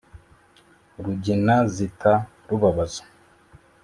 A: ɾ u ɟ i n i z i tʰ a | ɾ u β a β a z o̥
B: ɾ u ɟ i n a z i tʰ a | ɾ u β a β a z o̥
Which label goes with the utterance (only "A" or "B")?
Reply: B